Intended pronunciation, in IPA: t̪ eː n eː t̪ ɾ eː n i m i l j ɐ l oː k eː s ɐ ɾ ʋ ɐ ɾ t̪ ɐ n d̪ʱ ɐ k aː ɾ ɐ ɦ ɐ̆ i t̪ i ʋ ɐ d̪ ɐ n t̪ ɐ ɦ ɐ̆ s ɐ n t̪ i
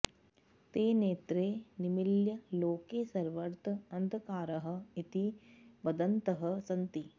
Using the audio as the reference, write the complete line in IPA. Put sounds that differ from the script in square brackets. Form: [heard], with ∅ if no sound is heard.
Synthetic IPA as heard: t̪ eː n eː t̪ ɾ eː n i m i l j ɐ l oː k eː s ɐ ɾ ʋ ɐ ɾ t̪ ɐ n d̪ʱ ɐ k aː ɾ ɐ ɦ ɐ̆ i t̪ i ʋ ɐ d̪ ɐ n t̪ ɐ ɦ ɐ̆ s ɐ n t̪ i